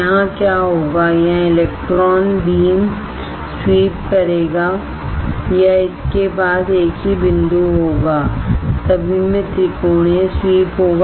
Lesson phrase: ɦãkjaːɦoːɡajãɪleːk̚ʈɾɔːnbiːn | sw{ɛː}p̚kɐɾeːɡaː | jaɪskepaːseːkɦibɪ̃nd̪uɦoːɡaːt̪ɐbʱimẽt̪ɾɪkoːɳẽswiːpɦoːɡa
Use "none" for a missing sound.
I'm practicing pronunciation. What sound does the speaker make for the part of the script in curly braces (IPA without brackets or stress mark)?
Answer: iː